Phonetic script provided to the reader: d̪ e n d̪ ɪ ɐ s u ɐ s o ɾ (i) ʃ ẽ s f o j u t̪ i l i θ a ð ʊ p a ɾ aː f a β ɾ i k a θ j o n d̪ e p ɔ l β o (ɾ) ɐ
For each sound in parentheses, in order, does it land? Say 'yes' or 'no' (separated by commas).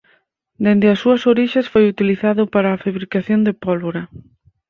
yes, yes